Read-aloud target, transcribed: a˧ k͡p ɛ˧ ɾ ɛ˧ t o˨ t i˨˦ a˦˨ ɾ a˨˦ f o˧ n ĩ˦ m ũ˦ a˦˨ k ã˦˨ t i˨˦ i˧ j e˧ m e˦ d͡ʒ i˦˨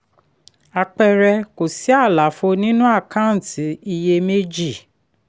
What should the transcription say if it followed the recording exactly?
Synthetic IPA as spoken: a˧ k͡p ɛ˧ ɾ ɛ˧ k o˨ s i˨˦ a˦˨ l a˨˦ f o˧ n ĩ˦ n ũ˦ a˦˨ k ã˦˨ t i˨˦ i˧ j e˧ m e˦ d͡ʒ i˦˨